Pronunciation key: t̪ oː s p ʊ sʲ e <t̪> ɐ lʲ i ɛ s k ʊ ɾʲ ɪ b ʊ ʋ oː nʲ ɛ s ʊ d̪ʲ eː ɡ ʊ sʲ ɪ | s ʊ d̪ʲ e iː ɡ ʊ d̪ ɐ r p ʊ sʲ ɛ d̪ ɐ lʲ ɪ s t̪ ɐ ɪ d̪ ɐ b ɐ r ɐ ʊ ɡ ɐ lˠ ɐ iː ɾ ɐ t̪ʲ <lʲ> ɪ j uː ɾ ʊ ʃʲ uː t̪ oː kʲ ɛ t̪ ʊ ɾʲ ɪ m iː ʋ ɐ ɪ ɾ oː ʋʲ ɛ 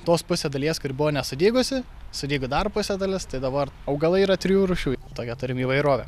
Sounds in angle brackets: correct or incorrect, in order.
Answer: incorrect, incorrect

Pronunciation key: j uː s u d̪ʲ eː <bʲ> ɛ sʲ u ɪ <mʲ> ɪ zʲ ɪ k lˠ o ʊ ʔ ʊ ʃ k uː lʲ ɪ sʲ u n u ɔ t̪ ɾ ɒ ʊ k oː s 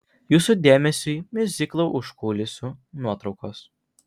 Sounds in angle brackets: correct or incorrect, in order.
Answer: incorrect, correct

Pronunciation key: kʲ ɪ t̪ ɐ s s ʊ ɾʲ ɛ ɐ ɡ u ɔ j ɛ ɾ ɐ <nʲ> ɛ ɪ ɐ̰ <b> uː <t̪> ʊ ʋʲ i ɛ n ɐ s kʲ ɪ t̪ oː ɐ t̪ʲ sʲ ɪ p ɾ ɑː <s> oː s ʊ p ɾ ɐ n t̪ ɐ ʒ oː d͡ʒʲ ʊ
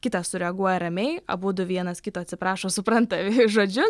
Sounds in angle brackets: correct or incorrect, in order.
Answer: incorrect, correct, incorrect, incorrect

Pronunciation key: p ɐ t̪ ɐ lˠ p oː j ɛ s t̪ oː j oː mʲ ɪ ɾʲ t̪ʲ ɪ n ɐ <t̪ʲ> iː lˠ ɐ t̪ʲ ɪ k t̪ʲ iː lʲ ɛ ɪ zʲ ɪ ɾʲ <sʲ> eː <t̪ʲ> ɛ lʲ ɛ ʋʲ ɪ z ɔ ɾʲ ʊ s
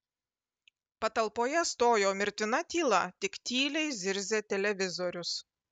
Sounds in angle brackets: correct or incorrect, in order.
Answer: correct, incorrect, correct

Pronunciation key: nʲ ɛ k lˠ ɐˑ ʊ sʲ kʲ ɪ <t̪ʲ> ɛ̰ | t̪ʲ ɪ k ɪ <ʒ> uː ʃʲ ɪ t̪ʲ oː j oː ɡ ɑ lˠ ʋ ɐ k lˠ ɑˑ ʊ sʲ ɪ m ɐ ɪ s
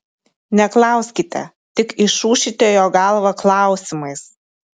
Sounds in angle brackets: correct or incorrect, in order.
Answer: correct, incorrect

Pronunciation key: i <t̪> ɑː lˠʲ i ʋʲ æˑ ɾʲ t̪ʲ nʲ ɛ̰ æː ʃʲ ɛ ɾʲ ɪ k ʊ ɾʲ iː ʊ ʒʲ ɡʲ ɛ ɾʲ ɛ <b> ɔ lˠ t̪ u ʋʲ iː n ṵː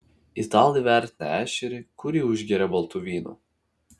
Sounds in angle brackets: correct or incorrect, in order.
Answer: correct, correct

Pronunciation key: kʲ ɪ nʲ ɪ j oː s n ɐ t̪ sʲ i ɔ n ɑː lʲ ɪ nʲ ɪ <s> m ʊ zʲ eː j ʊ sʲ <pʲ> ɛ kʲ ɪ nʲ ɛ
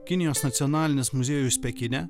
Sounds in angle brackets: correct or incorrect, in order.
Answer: correct, correct

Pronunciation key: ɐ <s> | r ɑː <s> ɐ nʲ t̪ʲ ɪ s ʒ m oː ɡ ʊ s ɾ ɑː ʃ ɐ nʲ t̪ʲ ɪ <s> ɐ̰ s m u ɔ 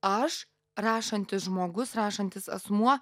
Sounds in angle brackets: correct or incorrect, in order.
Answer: incorrect, incorrect, correct

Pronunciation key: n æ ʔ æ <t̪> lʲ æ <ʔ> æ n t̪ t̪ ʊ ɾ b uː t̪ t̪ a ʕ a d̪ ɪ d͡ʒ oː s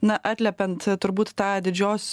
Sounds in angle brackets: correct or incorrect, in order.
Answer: correct, incorrect

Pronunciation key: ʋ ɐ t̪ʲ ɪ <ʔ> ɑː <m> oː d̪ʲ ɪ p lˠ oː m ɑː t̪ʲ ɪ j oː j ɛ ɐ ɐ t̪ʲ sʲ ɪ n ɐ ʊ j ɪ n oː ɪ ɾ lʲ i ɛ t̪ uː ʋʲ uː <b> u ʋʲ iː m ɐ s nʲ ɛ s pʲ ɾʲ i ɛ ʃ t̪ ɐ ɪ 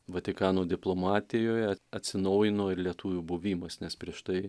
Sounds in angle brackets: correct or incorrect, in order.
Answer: incorrect, incorrect, correct

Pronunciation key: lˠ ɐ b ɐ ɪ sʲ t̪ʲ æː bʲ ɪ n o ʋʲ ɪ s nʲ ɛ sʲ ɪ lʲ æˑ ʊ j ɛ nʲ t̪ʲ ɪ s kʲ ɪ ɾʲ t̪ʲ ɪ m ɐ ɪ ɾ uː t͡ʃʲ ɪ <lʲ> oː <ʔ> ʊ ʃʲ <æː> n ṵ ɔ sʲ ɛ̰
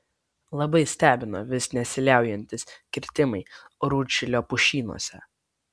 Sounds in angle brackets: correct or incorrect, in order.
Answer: correct, incorrect, incorrect

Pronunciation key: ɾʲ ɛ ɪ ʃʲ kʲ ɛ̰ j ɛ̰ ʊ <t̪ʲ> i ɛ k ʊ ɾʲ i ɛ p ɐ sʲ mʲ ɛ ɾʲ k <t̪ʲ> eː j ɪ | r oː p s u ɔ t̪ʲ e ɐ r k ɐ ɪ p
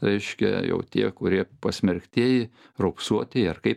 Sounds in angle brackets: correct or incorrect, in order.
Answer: correct, correct

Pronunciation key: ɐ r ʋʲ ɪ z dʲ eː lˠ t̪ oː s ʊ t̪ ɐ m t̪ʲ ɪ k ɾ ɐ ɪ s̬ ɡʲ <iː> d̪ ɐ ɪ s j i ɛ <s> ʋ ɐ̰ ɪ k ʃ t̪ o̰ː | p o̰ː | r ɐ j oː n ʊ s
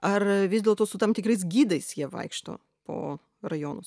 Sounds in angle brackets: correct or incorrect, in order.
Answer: correct, incorrect

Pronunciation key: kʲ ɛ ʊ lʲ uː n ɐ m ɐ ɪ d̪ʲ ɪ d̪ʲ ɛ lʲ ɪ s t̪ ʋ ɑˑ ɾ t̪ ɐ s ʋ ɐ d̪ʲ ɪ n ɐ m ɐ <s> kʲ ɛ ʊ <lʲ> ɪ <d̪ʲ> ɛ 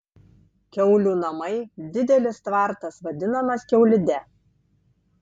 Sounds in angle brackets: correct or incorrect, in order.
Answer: correct, correct, correct

